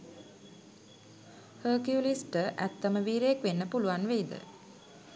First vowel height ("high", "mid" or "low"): mid